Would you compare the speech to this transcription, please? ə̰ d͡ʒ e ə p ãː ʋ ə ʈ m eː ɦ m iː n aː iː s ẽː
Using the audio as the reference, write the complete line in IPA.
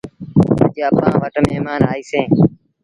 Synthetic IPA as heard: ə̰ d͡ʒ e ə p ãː ʋ ə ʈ m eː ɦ m aː n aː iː s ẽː